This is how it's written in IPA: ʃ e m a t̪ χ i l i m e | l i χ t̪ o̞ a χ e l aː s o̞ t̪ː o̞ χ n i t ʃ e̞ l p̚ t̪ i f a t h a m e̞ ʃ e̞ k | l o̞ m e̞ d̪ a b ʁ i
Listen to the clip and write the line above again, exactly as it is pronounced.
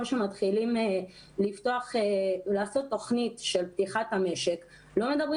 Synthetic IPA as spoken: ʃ e m a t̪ χ i l i m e | l i f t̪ o̞ a χ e l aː s o̞ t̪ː o̞ χ n i t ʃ e̞ l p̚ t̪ i χ a t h a m e̞ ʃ e̞ k | l o̞ m e̞ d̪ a b ʁ i